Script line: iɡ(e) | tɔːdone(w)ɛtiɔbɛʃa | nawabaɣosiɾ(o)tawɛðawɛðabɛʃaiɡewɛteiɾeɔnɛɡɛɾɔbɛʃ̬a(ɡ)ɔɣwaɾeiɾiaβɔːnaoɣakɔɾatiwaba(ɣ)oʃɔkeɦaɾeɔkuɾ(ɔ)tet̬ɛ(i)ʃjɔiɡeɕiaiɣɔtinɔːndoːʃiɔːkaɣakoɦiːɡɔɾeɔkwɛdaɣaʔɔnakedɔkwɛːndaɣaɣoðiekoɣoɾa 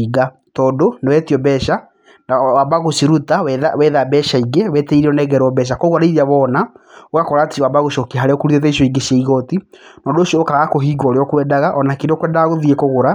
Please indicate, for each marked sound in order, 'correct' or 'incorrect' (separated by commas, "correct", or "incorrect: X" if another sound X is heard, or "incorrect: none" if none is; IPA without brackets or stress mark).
incorrect: a, correct, incorrect: u, incorrect: k, correct, incorrect: u, correct